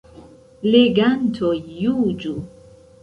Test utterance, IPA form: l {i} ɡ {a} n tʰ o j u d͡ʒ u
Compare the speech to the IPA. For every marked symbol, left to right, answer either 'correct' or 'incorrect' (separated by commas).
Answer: incorrect, correct